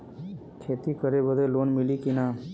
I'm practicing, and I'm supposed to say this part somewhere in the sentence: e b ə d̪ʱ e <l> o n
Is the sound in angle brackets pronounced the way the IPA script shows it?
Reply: yes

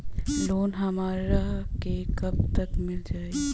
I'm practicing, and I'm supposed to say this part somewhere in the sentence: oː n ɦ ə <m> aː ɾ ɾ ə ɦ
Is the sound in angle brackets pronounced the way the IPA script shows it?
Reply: yes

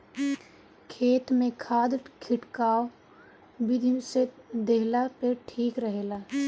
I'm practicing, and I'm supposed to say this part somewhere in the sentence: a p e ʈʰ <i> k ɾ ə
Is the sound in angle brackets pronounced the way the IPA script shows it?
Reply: no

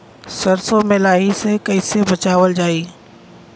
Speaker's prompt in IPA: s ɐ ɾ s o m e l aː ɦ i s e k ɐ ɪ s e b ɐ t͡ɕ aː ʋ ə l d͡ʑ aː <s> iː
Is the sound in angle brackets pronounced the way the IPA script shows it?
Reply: no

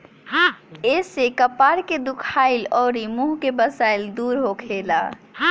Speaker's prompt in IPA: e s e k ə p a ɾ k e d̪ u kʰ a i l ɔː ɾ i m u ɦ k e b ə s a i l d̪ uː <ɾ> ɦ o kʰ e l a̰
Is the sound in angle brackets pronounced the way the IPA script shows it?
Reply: yes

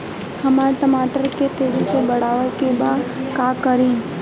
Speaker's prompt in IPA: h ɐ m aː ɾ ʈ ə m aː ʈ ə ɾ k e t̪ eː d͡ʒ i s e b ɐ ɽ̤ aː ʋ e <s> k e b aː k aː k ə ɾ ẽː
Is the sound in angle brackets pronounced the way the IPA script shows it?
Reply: no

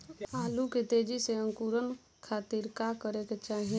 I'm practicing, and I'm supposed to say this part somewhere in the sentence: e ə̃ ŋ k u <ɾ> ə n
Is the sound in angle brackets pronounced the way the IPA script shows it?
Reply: yes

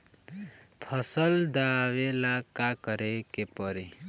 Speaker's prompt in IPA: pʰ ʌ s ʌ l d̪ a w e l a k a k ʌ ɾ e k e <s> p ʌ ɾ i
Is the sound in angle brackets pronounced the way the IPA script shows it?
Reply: no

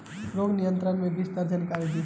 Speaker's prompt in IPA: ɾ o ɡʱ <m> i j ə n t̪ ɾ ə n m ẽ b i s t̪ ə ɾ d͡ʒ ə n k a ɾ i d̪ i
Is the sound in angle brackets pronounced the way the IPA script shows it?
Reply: no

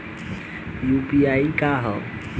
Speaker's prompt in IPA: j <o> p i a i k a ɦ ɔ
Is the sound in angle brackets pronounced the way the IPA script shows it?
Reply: no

